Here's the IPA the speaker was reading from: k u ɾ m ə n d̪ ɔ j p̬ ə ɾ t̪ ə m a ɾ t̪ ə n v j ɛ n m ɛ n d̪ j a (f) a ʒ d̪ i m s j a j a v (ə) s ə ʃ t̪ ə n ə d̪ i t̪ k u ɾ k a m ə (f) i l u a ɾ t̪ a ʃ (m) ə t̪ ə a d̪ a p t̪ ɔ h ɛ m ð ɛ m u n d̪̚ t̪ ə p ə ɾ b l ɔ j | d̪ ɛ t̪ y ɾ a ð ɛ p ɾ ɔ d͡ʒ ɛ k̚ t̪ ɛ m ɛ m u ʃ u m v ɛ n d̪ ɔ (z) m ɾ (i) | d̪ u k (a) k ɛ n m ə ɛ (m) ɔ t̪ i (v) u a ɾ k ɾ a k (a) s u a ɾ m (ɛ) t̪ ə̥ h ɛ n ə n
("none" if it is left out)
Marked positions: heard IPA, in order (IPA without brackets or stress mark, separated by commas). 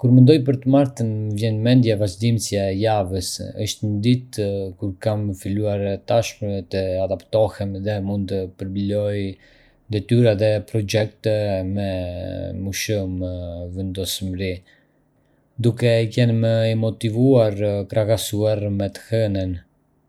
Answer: v, ə, f, m, s, i, ɛ, m, v, a, ɛ